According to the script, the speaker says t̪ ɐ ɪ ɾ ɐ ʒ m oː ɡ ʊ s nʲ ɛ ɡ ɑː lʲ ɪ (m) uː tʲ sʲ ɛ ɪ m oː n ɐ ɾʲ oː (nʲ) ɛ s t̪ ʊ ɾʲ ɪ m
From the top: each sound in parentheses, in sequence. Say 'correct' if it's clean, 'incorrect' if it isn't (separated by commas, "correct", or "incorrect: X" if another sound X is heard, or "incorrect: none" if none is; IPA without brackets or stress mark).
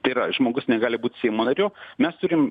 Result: incorrect: b, incorrect: mʲ